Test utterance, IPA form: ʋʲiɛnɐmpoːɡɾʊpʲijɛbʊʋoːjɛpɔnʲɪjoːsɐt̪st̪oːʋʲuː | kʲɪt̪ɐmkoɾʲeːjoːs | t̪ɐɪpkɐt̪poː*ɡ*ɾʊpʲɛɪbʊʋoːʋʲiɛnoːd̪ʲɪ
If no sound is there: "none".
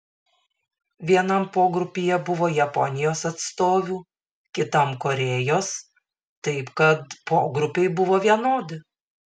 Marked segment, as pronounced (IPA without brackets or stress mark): ɡ